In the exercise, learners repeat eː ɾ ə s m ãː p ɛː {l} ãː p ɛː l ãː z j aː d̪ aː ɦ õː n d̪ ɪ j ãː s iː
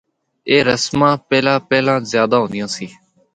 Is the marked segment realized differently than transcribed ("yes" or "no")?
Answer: no